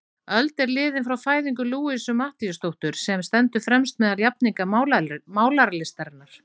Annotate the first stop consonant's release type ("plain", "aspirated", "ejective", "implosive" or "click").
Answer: plain